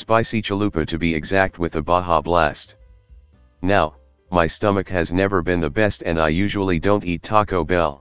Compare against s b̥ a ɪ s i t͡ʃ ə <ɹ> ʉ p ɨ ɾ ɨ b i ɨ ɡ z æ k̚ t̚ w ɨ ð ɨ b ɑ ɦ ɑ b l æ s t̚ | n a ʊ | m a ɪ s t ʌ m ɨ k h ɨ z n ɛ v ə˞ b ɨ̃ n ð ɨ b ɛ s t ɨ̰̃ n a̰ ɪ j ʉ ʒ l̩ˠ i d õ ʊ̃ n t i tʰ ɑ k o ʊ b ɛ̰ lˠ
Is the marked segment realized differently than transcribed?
yes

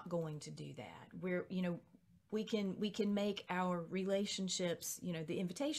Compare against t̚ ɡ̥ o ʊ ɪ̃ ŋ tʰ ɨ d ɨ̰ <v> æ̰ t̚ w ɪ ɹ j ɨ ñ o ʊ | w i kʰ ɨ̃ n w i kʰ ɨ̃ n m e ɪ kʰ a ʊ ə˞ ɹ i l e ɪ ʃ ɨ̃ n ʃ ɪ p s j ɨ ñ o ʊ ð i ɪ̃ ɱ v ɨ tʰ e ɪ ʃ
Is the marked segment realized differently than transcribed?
yes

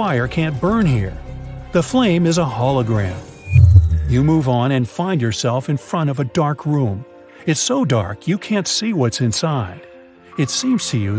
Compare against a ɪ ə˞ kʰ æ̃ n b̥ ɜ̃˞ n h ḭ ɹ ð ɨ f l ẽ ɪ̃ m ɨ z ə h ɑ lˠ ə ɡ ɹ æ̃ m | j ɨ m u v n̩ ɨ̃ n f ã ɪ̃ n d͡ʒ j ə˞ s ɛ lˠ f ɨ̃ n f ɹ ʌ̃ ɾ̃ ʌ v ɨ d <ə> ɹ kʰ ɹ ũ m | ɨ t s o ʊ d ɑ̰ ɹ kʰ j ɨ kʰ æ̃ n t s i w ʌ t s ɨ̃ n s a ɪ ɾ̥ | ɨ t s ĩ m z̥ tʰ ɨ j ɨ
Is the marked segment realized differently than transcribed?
yes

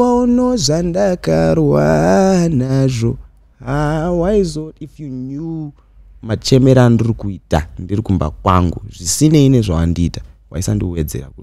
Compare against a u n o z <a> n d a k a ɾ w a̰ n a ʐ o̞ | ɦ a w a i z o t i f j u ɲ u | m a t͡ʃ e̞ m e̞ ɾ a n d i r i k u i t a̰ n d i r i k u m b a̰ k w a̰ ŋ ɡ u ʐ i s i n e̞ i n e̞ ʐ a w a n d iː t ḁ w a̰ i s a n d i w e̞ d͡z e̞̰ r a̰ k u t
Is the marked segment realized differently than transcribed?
no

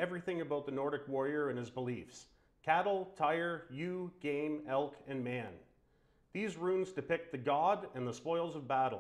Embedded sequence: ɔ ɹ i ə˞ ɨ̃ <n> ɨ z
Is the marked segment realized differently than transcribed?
no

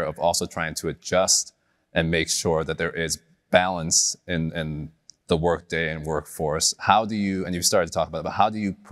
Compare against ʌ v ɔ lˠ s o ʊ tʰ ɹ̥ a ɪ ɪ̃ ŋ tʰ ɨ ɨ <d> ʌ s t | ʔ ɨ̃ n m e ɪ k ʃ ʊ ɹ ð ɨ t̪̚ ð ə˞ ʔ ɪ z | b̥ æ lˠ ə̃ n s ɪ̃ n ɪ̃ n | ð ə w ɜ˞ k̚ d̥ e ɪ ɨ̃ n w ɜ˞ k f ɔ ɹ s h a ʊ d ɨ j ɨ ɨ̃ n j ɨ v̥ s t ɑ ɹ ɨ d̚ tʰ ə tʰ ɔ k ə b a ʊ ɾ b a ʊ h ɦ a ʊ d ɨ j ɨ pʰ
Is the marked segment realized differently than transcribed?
yes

